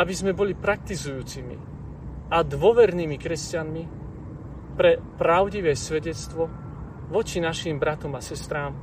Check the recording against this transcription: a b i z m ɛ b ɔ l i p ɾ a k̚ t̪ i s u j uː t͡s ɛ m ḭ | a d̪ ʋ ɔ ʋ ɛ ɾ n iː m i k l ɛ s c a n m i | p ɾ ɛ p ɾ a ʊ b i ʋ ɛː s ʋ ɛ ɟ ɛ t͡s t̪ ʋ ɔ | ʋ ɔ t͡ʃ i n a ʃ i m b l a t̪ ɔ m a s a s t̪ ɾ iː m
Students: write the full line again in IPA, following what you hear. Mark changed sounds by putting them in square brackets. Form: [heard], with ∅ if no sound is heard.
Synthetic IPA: a b i z m ɛ b ɔ l i p ɾ a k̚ t̪ i [z] u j uː t͡s [i] m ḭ | a d̪ ʋ ɔ ʋ ɛ ɾ n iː m i k [ɾ] ɛ s c a n m i | p ɾ ɛ p ɾ a ʊ [ɟ] i ʋ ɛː s ʋ ɛ ɟ ɛ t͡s t̪ ʋ ɔ | ʋ ɔ t͡ʃ i n a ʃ i m b [ɾ] a t̪ ɔ m a s [ɛ] s t̪ ɾ [aː] m